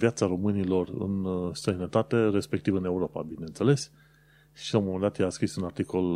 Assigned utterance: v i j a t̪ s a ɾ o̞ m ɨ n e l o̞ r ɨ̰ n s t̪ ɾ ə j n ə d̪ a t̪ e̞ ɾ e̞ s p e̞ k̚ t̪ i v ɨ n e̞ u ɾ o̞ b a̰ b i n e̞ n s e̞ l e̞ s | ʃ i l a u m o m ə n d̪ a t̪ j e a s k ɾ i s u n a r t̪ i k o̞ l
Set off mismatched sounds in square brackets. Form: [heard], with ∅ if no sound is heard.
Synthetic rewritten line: v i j a t̪ s a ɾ o̞ m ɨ n [i] l o̞ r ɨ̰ n s t̪ ɾ ə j n ə [t̪] a t̪ e̞ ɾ e̞ s p e̞ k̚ t̪ i v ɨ n e̞ u ɾ o̞ [p] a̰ b i n e̞ n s e̞ l e̞ s | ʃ i l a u m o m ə n d̪ a t̪ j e a s k ɾ i s u n a r t̪ i k o̞ l